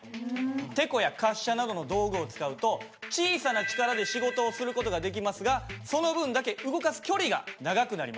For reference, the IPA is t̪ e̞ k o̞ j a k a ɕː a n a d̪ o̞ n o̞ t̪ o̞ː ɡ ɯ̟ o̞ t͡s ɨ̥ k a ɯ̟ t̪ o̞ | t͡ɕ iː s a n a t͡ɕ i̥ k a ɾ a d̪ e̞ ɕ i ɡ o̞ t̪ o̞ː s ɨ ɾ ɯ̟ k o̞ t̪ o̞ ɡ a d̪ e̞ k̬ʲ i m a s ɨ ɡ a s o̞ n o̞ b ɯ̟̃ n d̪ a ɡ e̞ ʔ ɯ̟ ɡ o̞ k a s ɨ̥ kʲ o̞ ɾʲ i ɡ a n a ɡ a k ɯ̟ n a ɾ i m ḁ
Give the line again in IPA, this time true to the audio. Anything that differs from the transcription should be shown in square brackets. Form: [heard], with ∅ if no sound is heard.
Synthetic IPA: t̪ e̞ k o̞ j a k a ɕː a n a d̪ o̞ n o̞ [d̪] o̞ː ɡ ɯ̟ o̞ t͡s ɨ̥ k a ɯ̟ t̪ o̞ | t͡ɕ iː s a n a t͡ɕ i̥ k a ɾ a d̪ e̞ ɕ i ɡ o̞ t̪ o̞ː s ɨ ɾ ɯ̟ k o̞ t̪ o̞ ɡ a d̪ e̞ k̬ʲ i m a s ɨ ɡ a s o̞ n o̞ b ɯ̟̃ n d̪ a [k] e̞ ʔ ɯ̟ ɡ o̞ k a s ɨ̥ kʲ o̞ ɾʲ i ɡ a n a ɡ a k ɯ̟ n a ɾ i m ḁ

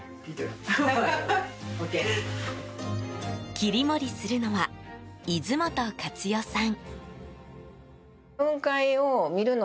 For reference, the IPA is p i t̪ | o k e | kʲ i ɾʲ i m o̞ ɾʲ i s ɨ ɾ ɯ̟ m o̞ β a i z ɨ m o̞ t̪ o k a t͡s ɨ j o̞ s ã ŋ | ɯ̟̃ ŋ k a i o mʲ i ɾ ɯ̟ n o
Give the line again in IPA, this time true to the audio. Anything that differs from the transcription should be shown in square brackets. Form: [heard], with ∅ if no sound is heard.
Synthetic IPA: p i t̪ | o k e | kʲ i ɾʲ i m o̞ ɾʲ i s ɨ ɾ ɯ̟ [n] o̞ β a i z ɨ m o̞ t̪ o k a t͡s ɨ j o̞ s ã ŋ | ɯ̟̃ ŋ k a i o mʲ i ɾ ɯ̟ n o

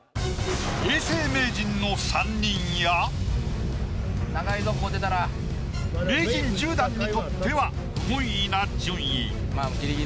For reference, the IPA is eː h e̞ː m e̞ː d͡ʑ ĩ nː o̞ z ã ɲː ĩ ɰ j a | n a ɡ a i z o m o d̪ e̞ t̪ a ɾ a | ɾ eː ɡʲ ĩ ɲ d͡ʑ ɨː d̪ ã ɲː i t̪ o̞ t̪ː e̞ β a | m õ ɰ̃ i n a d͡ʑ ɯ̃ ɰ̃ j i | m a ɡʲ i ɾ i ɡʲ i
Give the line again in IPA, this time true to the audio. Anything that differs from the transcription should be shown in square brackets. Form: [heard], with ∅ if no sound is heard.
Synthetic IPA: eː [s] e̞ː m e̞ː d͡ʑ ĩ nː o̞ [s] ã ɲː ĩ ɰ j a | n a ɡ a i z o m o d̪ e̞ t̪ a ɾ a | ɾ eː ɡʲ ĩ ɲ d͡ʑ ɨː d̪ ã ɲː i t̪ o̞ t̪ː e̞ β a | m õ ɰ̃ i n a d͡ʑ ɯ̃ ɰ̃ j i | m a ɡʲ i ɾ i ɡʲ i

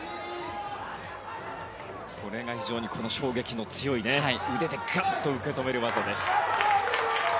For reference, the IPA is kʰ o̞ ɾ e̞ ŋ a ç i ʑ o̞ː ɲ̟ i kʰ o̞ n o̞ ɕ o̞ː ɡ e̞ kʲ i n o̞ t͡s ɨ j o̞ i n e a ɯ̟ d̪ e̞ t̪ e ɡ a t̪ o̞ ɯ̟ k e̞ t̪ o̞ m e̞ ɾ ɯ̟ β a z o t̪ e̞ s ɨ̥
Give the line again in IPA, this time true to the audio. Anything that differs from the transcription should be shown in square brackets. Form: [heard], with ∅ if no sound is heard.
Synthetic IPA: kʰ o̞ ɾ e̞ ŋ a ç i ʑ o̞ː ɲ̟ i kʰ o̞ n o̞ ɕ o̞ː ɡ e̞ kʲ i n o̞ t͡s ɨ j o̞ i n e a ɯ̟ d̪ e̞ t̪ e ɡ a t̪ o̞ ɯ̟ k e̞ t̪ o̞ m e̞ ɾ ɯ̟ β a z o [d̪] e̞ s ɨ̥

